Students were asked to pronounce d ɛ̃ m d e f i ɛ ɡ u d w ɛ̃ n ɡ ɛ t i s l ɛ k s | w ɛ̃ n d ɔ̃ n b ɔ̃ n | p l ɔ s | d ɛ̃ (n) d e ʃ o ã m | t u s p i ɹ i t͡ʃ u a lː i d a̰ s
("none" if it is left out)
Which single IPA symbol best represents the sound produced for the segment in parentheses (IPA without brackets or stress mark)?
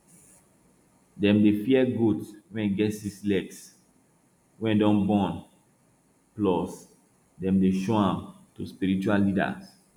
m